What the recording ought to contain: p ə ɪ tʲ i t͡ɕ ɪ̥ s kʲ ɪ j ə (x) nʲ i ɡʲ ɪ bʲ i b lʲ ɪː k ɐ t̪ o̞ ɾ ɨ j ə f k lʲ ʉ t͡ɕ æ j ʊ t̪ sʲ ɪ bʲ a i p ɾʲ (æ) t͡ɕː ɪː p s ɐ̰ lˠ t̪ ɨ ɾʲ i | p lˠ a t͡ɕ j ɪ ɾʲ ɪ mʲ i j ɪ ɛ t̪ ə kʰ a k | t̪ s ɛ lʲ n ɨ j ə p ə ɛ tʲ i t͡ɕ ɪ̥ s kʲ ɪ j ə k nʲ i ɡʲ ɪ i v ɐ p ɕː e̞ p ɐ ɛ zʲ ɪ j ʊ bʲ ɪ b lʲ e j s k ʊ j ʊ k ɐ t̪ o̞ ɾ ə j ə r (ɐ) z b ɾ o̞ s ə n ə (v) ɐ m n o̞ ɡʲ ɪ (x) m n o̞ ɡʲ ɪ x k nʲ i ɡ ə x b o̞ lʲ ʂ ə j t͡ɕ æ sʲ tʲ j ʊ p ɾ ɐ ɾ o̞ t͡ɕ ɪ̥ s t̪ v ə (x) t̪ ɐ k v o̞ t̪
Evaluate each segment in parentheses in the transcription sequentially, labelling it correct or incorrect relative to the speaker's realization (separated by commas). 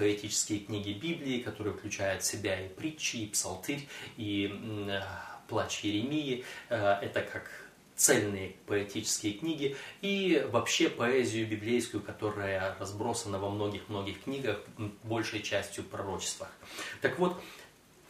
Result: incorrect, incorrect, correct, correct, correct, correct